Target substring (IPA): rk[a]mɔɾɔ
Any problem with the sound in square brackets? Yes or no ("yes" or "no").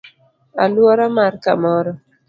no